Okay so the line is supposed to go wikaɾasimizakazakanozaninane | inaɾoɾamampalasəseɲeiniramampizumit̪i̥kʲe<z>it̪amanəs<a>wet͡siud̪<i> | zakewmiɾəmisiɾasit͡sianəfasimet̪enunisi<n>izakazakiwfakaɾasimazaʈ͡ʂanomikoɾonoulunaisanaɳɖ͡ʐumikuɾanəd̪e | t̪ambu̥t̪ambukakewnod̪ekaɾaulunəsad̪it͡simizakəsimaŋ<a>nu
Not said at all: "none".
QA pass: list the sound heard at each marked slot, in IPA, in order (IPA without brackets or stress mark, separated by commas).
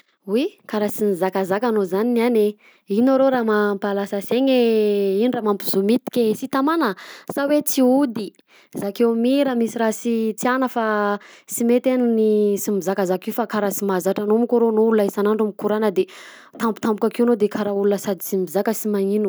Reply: s, a, i, m, i